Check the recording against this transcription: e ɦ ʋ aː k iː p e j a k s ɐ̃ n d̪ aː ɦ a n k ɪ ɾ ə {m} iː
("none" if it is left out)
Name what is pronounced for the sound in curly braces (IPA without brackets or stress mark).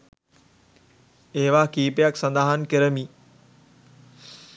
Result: m